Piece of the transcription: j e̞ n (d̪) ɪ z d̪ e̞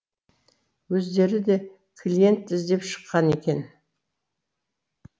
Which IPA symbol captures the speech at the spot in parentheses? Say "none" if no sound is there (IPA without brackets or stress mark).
t̪